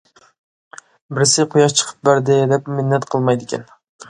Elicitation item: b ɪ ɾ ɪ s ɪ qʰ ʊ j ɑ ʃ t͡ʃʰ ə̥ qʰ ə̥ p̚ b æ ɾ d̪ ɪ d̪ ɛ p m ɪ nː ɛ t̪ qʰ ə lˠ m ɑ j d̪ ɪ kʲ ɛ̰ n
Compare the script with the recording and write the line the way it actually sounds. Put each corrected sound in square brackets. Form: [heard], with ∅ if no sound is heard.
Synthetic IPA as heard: b ɪ ɾ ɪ s ɪ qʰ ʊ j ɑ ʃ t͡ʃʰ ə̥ qʰ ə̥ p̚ b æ ɾ d̪ ɪ d̪ ɛ p m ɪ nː ɛ t̪ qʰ ə lˠ m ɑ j d̪ ɪ kʲ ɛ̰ n